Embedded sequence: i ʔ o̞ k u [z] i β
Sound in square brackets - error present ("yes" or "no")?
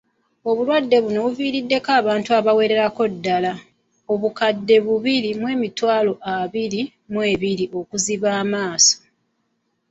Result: no